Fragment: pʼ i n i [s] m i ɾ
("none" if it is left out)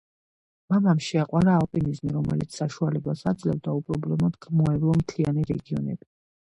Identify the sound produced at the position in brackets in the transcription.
z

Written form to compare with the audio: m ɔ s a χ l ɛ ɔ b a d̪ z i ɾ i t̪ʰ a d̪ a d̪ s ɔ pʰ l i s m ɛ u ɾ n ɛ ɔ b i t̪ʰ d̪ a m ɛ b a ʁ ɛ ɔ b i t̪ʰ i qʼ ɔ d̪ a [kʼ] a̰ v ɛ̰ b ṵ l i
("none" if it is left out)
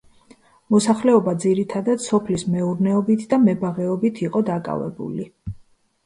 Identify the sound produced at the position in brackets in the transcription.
kʼ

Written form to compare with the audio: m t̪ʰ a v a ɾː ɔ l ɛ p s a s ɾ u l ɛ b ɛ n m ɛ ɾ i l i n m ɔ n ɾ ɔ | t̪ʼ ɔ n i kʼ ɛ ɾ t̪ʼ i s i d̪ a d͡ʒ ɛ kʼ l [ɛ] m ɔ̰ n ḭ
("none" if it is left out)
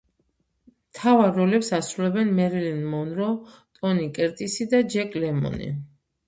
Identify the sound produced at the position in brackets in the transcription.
ɛ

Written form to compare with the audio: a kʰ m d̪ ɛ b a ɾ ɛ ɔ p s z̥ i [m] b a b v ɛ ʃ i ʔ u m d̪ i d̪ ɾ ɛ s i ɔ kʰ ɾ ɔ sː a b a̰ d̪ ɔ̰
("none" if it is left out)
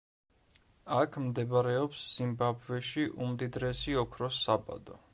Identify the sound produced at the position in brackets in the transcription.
m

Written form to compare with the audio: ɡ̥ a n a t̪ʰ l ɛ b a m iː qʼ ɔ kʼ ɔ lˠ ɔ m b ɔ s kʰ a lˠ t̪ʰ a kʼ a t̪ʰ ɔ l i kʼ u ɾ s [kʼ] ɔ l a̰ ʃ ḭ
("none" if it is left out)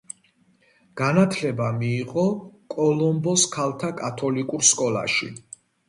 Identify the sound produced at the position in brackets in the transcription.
kʼ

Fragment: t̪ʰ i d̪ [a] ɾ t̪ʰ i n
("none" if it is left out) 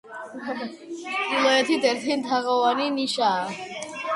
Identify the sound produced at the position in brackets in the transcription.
ɛ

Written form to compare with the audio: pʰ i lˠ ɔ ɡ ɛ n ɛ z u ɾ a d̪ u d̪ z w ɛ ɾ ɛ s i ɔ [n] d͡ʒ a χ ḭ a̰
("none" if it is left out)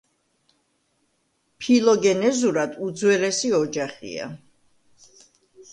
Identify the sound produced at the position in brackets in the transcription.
none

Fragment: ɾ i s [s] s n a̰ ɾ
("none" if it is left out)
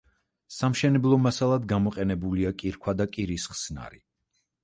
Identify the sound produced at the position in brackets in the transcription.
χ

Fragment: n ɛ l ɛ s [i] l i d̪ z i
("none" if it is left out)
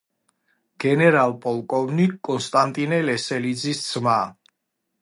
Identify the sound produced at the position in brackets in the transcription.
ɛ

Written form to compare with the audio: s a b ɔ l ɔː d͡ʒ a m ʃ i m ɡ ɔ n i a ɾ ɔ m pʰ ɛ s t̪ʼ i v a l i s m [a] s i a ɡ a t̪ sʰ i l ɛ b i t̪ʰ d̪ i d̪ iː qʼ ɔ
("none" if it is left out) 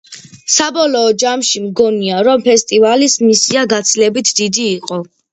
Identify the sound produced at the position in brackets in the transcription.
i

